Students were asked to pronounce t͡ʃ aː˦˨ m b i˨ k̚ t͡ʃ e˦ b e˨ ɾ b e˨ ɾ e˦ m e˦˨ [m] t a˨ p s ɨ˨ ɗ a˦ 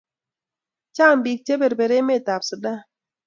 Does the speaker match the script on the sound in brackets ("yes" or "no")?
no